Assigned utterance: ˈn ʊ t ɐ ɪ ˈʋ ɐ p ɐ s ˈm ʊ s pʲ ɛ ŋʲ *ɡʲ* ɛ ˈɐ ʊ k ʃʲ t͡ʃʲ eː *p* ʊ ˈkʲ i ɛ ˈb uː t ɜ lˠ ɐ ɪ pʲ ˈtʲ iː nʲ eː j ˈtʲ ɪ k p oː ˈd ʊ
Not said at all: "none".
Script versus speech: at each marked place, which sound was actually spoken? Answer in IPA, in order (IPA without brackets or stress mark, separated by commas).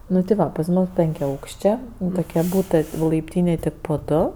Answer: kʲ, t